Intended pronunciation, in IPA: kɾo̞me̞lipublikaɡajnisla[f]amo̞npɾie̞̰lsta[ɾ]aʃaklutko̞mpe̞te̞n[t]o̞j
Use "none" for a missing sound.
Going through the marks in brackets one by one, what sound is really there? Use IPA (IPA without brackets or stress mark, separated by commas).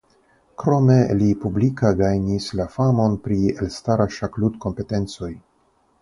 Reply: f, ɾ, t͡s